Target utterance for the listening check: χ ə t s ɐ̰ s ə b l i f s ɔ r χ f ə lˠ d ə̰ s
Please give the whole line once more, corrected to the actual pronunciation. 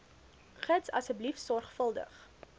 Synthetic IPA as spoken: χ ə t s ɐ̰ s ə b l i f s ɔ r χ f ə lˠ d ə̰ χ